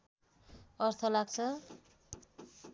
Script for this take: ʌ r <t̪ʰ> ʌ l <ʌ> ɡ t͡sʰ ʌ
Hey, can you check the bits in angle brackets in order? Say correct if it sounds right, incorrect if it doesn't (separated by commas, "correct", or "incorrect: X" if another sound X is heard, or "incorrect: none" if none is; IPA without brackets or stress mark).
correct, incorrect: a